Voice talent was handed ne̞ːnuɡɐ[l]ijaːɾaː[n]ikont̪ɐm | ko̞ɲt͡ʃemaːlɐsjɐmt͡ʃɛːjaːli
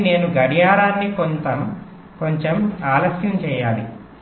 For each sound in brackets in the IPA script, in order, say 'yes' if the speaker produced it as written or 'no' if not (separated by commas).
no, no